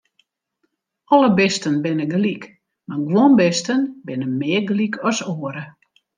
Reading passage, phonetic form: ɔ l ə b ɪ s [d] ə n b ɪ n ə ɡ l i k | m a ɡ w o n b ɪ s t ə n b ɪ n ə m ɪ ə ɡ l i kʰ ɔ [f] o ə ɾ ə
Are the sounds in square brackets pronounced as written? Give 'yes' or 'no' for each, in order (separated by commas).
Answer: no, no